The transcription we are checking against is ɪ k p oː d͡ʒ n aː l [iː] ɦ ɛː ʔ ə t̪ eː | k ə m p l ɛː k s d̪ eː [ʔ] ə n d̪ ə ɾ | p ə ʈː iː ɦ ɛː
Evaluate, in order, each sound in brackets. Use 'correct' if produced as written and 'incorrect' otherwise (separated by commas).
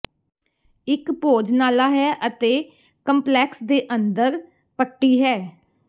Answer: incorrect, correct